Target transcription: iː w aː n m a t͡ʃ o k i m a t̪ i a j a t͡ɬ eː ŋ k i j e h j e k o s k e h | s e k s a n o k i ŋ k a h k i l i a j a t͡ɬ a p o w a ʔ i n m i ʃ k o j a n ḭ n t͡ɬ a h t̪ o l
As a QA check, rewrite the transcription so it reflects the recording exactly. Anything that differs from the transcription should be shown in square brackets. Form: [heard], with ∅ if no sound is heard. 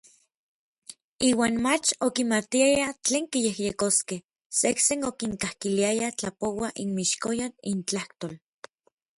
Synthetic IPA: iː w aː n m a t͡ʃ o k i m a t̪ i a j a t͡ɬ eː ŋ k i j e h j e k o s k e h | s e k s [e] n o k i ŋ k a h k i l i a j a t͡ɬ a p o w a ʔ i n m i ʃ k o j a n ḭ n t͡ɬ a h t̪ o l